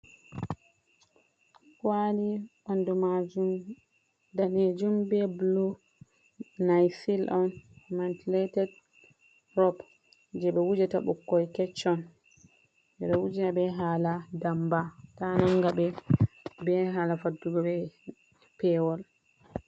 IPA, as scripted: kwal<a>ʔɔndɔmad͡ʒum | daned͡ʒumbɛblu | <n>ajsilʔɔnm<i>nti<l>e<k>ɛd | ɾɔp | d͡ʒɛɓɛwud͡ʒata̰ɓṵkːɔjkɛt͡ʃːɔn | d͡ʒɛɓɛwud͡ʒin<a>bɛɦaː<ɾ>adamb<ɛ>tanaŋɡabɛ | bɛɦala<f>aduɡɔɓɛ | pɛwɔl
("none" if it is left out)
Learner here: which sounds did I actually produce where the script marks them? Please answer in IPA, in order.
i, n, a, l, t, a, l, a, f

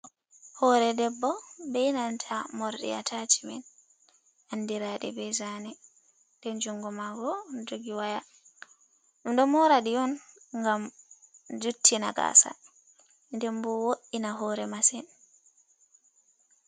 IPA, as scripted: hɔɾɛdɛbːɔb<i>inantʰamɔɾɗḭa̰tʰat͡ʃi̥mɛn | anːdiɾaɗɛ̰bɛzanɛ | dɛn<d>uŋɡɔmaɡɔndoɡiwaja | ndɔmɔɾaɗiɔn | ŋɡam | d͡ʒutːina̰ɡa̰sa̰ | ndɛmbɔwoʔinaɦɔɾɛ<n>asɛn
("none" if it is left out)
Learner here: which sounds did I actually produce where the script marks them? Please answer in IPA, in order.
ɛ, d͡ʒ, m

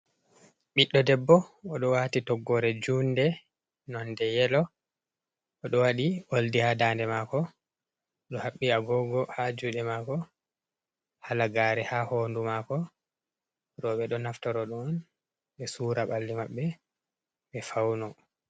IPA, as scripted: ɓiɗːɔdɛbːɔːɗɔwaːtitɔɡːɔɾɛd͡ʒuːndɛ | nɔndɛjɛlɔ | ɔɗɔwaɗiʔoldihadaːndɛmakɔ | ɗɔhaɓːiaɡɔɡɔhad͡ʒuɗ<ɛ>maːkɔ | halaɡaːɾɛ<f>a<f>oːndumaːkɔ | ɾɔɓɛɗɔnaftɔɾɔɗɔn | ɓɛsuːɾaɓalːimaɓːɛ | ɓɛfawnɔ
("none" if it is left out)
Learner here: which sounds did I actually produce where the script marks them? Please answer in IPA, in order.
ɛ, h, h

